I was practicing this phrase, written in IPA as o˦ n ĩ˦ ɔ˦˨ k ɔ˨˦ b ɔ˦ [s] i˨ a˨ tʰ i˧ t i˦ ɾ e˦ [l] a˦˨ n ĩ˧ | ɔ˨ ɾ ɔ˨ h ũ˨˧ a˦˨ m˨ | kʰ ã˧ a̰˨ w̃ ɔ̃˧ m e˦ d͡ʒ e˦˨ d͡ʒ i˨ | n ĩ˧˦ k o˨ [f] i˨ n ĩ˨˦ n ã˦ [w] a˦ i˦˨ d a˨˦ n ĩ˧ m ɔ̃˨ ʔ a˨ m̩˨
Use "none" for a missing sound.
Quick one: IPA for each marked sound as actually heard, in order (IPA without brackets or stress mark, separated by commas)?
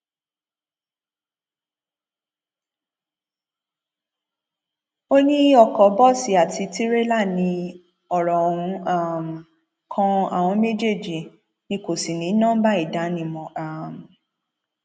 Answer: s, l, s, b